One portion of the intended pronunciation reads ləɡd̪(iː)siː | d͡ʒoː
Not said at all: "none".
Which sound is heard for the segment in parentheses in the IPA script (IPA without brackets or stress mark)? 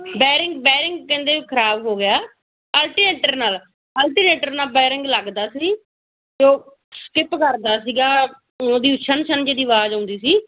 aː